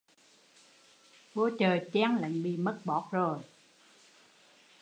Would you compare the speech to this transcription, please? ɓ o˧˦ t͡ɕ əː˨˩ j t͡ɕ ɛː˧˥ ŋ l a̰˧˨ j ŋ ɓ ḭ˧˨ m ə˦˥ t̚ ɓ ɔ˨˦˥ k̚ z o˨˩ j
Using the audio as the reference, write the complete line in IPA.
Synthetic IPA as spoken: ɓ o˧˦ t͡ɕ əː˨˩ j t͡ɕ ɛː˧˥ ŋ l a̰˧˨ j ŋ ɓ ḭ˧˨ m ə˦˥ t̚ ɓ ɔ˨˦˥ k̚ z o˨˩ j